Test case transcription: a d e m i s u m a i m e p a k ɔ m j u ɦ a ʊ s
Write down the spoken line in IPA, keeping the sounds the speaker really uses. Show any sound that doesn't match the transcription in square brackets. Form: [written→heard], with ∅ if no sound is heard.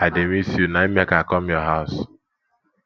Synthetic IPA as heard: a d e m i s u [m→n] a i m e [p→k] a k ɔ m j [u→ɔ] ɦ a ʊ s